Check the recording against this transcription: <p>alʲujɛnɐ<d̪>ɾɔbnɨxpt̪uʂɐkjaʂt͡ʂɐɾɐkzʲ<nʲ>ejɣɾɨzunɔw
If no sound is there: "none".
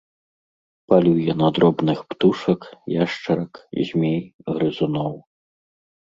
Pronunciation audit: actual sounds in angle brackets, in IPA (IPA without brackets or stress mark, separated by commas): p, d̪, mʲ